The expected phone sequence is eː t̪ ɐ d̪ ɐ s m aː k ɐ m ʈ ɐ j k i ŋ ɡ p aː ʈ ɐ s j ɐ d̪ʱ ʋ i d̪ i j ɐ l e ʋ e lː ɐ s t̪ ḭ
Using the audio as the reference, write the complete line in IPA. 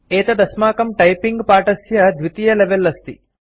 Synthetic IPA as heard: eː t̪ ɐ d̪ ɐ s m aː k ɐ m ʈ ɐ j p i ŋ ɡ p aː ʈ ɐ s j ɐ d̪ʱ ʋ i t̪ i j ɐ l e ʋ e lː ɐ s t̪ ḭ